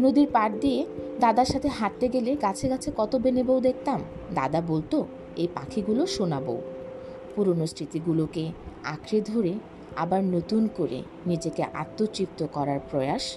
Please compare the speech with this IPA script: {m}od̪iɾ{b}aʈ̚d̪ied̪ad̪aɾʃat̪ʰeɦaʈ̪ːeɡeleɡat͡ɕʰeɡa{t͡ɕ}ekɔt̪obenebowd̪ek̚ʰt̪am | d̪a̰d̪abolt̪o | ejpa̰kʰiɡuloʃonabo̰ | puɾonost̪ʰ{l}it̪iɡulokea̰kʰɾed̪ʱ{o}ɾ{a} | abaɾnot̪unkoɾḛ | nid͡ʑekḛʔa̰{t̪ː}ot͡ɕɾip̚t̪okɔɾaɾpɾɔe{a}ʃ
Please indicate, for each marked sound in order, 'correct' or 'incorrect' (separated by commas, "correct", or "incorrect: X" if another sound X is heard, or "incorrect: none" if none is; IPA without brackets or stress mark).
incorrect: n, incorrect: p, incorrect: t͡ɕʰ, incorrect: ɾ, correct, incorrect: e, correct, correct